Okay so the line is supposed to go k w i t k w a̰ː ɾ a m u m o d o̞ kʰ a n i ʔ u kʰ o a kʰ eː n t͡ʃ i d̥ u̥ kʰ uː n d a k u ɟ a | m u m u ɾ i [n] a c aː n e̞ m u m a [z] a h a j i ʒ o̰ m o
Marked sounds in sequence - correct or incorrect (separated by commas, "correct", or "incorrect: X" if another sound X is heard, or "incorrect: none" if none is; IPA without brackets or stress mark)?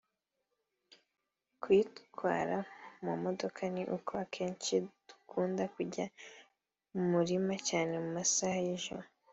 incorrect: m, incorrect: s